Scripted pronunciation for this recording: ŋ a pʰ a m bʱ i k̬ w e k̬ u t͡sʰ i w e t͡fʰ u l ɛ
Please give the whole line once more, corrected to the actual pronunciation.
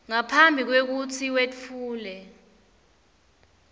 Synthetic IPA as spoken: ŋ a pʰ a m bʱ i k̬ w e k̬ u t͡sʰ i w e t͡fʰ uː l ɛ